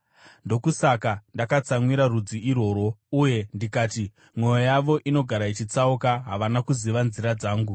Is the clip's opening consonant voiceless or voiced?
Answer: voiced